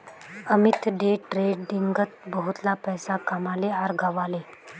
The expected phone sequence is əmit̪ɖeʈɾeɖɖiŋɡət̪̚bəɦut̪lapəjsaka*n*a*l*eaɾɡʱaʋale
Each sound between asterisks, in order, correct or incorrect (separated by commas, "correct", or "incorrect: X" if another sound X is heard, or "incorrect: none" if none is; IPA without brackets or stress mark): incorrect: m, correct